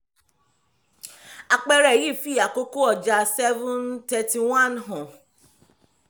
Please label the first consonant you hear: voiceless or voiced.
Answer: voiceless